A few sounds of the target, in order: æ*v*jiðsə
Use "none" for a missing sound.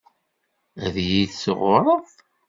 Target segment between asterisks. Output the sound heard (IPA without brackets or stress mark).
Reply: ð